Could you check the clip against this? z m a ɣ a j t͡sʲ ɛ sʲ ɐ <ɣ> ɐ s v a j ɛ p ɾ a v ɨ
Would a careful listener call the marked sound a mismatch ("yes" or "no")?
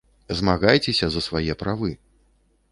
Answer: yes